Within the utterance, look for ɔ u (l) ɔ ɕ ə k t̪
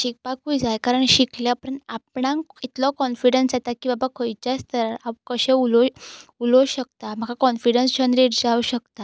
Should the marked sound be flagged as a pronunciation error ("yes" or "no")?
no